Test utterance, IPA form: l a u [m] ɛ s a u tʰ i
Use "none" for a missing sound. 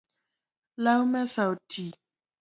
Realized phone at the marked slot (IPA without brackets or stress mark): m